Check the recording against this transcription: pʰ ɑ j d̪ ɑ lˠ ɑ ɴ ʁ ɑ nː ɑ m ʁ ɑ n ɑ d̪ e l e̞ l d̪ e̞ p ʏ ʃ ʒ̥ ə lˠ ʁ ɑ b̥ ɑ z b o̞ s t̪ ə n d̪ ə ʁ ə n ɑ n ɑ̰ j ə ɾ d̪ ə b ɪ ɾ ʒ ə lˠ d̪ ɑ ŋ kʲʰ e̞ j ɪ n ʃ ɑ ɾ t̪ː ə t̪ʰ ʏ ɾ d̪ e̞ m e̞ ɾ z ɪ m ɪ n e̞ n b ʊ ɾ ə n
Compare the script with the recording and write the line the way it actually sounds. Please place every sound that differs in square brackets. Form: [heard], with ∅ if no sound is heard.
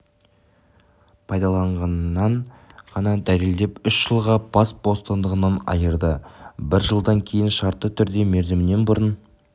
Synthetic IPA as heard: pʰ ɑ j d̪ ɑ lˠ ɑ ɴ ʁ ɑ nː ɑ [ɴ] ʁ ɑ n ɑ d̪ [æ] l e̞ l d̪ e̞ p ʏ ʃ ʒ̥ ə lˠ ʁ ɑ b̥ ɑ [s] b o̞ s t̪ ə n d̪ ə ʁ ə n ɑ n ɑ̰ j ə ɾ d̪ ə b ɪ ɾ ʒ ə lˠ d̪ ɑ ŋ kʲʰ e̞ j ɪ n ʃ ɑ ɾ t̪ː ə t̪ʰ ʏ ɾ d̪ e̞ m e̞ ɾ z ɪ m ɪ n e̞ n b ʊ ɾ ə n

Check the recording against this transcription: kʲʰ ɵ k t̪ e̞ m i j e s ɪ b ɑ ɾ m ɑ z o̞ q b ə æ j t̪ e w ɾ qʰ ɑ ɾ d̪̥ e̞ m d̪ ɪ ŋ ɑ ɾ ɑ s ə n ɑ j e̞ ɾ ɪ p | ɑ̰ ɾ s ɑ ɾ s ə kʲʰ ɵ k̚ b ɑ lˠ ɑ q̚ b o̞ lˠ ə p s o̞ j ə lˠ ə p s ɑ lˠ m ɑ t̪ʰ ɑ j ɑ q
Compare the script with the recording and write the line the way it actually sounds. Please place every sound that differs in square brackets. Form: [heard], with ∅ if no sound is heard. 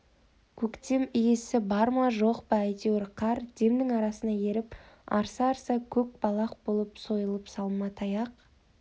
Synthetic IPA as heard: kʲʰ ɵ k t̪ e̞ m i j e s ɪ b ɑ ɾ m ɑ [ʒ] o̞ q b [ɑ] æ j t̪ e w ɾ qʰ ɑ ɾ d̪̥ e̞ m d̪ ɪ ŋ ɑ ɾ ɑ s ə n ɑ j e̞ ɾ ɪ p | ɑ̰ ɾ s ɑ ɾ s [ɑ] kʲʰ ɵ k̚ b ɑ lˠ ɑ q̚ b o̞ lˠ ə p s o̞ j ə lˠ ə p s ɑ lˠ m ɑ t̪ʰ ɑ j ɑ q

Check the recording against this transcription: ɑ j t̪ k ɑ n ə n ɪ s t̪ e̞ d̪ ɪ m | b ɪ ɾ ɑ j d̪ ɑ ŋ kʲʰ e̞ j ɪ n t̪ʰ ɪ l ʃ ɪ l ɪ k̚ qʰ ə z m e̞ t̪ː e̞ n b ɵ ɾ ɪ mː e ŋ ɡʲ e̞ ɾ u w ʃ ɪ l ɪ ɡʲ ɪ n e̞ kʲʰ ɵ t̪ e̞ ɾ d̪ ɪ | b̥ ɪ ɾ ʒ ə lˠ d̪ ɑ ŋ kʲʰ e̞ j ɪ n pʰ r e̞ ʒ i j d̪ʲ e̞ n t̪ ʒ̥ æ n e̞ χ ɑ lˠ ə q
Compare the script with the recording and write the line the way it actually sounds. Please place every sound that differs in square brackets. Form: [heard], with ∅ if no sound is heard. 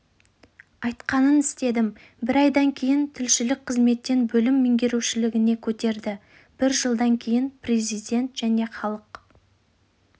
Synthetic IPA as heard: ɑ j t̪ [q] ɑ n ə n ɪ s t̪ e̞ d̪ ɪ m | b ɪ ɾ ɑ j d̪ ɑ ŋ kʲʰ e̞ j ɪ n t̪ʰ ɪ l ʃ ɪ l ɪ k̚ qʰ ə z m e̞ t̪ː e̞ n b ɵ [l] ɪ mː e ŋ ɡʲ e̞ ɾ u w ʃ ɪ l ɪ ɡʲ ɪ n e̞ kʲʰ ɵ t̪ e̞ ɾ d̪ ɪ | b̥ ɪ ɾ ʒ ə lˠ d̪ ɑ ŋ kʲʰ e̞ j ɪ n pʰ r e̞ [z] i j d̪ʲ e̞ n t̪ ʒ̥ æ n e̞ χ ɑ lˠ ə q

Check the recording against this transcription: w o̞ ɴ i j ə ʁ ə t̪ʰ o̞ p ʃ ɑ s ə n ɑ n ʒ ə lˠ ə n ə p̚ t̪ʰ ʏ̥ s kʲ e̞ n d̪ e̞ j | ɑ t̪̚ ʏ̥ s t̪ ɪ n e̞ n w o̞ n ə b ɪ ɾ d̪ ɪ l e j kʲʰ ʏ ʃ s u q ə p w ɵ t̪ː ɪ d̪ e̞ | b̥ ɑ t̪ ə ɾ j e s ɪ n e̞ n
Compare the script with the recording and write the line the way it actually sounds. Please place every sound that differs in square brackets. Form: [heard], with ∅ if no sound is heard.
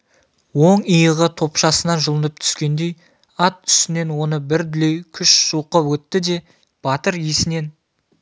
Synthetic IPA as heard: w o̞ ɴ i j ə ʁ ə t̪ʰ o̞ p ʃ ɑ s ə n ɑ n ʒ ə lˠ ə n ə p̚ t̪ʰ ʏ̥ s kʲ e̞ n d̪ e̞ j | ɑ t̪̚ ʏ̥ s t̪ ɪ n e̞ n w o̞ n ə b ɪ ɾ d̪ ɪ l e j kʲʰ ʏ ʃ s u q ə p w ɵ t̪ː ɪ d̪ e̞ | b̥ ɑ t̪ ə ɾ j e s ɪ n e̞ n

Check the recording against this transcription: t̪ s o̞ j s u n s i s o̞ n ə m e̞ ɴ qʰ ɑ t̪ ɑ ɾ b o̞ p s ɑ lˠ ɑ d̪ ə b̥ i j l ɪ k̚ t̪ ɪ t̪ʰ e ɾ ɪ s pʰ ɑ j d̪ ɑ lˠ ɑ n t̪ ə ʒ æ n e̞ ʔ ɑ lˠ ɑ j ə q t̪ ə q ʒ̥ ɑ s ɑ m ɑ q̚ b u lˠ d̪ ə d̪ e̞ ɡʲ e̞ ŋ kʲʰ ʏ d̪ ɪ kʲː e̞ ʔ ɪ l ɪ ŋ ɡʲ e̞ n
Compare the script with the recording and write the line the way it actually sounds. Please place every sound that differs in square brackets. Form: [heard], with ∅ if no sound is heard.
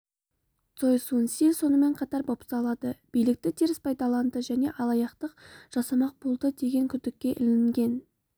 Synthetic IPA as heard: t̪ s o̞ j s u n s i s o̞ n ə m e̞ ɴ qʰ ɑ t̪ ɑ ɾ b o̞ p s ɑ lˠ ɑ d̪ ə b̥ i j l ɪ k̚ t̪ ɪ t̪ʰ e ɾ ɪ s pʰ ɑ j d̪ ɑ lˠ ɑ n [d̪] ə ʒ æ n e̞ ʔ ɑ lˠ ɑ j [ɑ] q t̪ ə q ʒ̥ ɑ s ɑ m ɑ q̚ b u lˠ d̪ ə d̪ e̞ ɡʲ e̞ ŋ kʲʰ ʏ d̪ ɪ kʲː e̞ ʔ ɪ l ɪ ŋ ɡʲ e̞ n

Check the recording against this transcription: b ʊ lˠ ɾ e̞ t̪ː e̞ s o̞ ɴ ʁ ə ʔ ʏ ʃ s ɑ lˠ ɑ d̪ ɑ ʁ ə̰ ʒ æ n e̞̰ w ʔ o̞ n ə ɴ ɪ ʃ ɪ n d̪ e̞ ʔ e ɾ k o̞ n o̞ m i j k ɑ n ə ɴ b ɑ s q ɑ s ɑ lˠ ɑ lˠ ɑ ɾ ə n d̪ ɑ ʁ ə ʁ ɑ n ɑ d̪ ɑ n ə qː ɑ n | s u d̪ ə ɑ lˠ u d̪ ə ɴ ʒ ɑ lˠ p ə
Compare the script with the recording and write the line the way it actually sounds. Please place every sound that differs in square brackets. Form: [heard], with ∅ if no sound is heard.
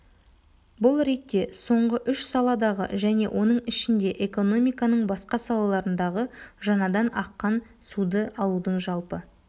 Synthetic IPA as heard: b ʊ lˠ ɾ e̞ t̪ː e̞ s o̞ ɴ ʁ ə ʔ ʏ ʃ s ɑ lˠ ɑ d̪ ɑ ʁ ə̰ ʒ æ n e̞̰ w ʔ o̞ n ə ɴ ɪ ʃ ɪ n d̪ e̞ ʔ e [∅] k o̞ n o̞ m i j k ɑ n ə ɴ b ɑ s q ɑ s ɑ lˠ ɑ lˠ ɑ ɾ ə n d̪ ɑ ʁ ə [ʒ] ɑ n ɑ d̪ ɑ n [ɑ] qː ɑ n | s u d̪ ə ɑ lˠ u d̪ ə ɴ ʒ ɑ lˠ p ə

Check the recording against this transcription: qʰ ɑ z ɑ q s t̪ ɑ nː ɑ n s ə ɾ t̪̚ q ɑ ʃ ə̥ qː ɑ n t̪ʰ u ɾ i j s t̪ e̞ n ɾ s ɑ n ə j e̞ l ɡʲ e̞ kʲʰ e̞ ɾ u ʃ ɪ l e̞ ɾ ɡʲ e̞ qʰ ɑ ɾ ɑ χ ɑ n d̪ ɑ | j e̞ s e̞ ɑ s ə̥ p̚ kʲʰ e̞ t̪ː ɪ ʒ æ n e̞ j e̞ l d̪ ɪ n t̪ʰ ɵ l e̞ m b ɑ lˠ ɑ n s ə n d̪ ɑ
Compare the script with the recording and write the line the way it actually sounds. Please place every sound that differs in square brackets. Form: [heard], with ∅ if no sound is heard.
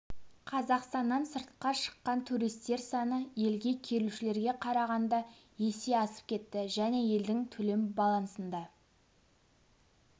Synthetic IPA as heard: qʰ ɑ z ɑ q s t̪ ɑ nː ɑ n s ə ɾ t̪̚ q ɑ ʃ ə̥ qː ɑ n t̪ʰ u ɾ i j s t̪ e̞ [∅] ɾ s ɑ n ə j e̞ l ɡʲ e̞ kʲʰ e̞ ɾ u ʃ ɪ l e̞ ɾ ɡʲ e̞ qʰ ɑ ɾ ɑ [ʁ] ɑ n d̪ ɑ | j e̞ s e̞ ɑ s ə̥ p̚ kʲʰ e̞ t̪ː ɪ ʒ æ n e̞ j e̞ l d̪ ɪ [ŋ] t̪ʰ ɵ l e̞ m b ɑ lˠ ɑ n s ə n d̪ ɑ

